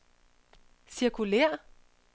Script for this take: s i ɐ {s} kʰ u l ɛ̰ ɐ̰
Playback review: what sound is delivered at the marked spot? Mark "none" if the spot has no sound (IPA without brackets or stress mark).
none